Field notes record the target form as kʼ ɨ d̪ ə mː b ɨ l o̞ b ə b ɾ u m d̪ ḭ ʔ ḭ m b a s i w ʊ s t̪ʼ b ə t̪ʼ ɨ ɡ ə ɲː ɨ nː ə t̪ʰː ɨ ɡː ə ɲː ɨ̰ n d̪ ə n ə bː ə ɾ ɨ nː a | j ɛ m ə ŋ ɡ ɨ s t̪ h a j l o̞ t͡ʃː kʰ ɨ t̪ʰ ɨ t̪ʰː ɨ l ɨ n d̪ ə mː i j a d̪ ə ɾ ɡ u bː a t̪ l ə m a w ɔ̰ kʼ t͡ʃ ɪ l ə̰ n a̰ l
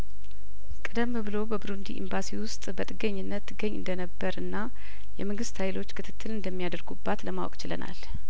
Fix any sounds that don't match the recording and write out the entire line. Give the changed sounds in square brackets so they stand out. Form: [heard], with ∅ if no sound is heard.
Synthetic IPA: kʼ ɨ d̪ ə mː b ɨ l o̞ b ə b ɾ u [n] d̪ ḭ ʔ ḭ m b a s i w ʊ s t̪ʼ b ə t̪ʼ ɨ ɡ ə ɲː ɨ nː ə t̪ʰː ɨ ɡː ə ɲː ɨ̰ n d̪ ə n ə bː ə ɾ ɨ nː a | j ɛ m ə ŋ ɡ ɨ s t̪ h a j l o̞ t͡ʃː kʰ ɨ t̪ʰ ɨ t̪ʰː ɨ l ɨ n d̪ ə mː i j a d̪ ə ɾ ɡ u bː a t̪ l ə m a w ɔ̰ kʼ t͡ʃ ɪ l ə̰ n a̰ l